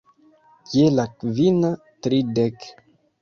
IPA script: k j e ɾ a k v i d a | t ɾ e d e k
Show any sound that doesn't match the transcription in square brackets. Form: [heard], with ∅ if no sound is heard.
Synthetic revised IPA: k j e [l] a k v i [n] a | t ɾ [i] d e k